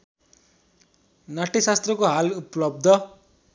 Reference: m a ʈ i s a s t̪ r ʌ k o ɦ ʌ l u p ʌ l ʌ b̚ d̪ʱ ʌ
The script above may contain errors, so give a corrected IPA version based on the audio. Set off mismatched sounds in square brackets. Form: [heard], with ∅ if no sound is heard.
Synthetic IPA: [n] a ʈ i s a s t̪ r ʌ k o ɦ [a] l u p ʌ l ʌ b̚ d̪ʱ ʌ